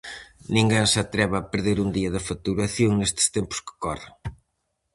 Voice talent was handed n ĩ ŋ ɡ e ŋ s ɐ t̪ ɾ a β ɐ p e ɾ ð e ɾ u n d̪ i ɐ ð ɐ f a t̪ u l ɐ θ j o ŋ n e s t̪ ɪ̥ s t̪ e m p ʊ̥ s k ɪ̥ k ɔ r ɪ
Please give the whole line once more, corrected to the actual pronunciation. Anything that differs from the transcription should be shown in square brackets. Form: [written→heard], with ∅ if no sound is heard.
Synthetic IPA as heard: n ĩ ŋ ɡ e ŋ s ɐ t̪ ɾ [a→ɛ] β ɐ p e ɾ ð e ɾ u n d̪ i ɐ ð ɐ f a t̪ u [l→ɾ] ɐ θ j o ŋ n e s t̪ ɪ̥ s t̪ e m p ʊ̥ s k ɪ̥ k ɔ r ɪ

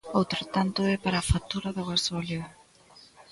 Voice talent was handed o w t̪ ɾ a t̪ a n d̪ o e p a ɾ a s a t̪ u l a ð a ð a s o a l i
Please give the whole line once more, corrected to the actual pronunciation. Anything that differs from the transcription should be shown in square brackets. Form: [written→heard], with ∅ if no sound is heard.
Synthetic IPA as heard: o w t̪ ɾ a t̪ a n [d̪→t̪] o e p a ɾ a [s→f] a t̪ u [l→ɾ] a ð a [ð→ɣ] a s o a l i

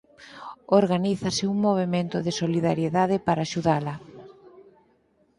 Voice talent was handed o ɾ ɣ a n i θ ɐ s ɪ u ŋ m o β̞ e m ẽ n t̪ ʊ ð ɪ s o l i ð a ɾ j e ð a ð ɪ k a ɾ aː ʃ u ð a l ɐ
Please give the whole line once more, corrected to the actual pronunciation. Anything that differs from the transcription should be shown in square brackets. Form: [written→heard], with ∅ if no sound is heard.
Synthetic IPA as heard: o ɾ ɣ a n i θ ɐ s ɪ u ŋ m o β̞ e m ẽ n t̪ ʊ ð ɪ s o l i ð a ɾ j e ð a ð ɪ [k→p] a ɾ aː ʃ u ð a l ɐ

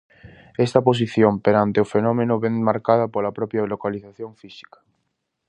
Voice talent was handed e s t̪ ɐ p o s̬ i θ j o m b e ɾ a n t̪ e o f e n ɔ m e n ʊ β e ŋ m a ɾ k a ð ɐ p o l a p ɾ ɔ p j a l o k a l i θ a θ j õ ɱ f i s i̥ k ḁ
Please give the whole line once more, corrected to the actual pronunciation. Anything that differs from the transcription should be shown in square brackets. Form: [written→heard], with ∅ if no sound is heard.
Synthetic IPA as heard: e s t̪ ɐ p o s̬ i θ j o m [b→p] e ɾ a n t̪ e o f e n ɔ m e n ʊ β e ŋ m a ɾ k a ð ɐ p o l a p ɾ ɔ p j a l o k a l i θ a θ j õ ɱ f i s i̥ k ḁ

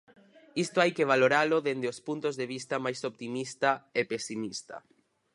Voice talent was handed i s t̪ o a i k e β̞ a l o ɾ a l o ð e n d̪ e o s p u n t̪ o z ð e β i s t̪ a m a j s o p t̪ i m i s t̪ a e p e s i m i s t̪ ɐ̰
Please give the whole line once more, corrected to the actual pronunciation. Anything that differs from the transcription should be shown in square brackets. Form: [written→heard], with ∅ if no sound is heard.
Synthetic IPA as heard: i s t̪ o a [i→j] k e β̞ a l o ɾ a l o ð e n d̪ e o s p u n t̪ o z ð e β i s t̪ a m a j s o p t̪ i m i s t̪ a e p e s i m i s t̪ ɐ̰

